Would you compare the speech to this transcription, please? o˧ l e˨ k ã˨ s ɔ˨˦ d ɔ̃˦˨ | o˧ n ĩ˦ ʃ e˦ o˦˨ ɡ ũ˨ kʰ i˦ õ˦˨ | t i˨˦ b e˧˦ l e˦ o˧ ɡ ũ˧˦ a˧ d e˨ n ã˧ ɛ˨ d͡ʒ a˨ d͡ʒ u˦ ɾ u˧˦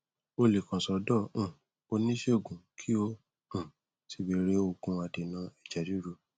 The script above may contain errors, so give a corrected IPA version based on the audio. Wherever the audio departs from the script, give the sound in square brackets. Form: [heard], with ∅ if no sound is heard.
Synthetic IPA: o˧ l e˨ k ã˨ s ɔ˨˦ d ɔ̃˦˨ | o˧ n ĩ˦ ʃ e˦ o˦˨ ɡ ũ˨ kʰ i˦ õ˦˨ | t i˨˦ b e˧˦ [ɾ] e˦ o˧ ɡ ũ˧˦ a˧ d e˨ n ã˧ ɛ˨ d͡ʒ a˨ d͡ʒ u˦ ɾ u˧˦